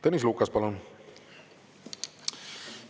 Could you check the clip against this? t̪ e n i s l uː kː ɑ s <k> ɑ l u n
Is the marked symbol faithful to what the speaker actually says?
no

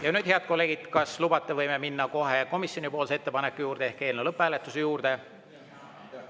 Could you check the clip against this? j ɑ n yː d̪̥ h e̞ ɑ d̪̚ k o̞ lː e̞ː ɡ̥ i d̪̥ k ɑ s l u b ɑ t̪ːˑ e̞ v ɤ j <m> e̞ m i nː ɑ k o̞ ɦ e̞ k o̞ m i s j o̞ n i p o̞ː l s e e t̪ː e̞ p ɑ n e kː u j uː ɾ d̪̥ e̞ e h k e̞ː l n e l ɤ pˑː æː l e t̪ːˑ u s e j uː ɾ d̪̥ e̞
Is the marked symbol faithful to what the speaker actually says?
yes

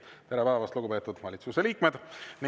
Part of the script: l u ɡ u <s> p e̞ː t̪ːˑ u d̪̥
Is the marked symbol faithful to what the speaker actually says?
no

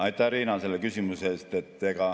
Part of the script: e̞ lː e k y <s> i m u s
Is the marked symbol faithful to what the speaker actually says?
yes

